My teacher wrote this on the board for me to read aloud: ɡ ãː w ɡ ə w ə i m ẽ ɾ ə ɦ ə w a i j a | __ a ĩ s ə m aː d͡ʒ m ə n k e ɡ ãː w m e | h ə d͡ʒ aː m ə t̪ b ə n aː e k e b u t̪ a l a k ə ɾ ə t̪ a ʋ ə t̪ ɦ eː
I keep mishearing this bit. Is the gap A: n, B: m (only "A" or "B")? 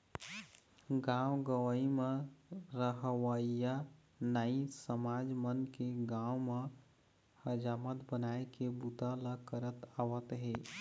A